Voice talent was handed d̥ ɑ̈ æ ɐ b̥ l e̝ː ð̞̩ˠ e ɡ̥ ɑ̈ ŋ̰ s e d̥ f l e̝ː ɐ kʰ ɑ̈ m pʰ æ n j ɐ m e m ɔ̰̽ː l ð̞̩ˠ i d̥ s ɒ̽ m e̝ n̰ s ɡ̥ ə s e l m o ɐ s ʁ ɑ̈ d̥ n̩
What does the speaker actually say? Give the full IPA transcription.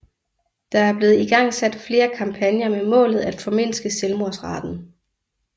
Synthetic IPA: d̥ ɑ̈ æ ɐ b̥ l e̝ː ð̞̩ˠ i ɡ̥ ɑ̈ ŋ̰ s æ d̥ f l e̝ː ɐ kʰ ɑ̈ m pʰ æ n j ɐ m e m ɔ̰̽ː l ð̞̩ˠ æ d̥ f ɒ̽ m e̝ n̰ s ɡ̥ ə s e l m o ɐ s ʁ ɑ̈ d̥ n̩